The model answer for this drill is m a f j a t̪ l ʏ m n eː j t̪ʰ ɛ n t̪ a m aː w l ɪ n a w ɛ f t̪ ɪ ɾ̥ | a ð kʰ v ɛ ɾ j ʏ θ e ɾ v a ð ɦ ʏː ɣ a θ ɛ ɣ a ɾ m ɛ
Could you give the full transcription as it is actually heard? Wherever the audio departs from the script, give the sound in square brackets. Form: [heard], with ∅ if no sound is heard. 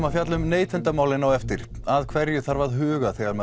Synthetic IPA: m a f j a t̪ l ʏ m n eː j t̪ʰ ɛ n t̪ a m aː w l ɪ n a w ɛ f t̪ ɪ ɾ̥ | a ð kʰ v ɛ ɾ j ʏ θ [a] ɾ v a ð ɦ ʏː ɣ a θ ɛ ɣ a ɾ m ɛ